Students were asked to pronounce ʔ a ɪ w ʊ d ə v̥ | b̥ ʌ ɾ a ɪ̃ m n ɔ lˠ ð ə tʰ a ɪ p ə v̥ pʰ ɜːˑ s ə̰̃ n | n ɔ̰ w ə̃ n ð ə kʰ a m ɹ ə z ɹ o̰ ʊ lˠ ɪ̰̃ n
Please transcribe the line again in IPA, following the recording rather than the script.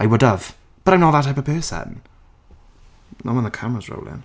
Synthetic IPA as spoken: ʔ a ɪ w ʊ d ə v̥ | b̥ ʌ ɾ a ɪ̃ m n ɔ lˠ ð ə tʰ a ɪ p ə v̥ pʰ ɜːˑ s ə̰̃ n | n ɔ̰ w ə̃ n ð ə kʰ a m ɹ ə z ɹ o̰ ʊ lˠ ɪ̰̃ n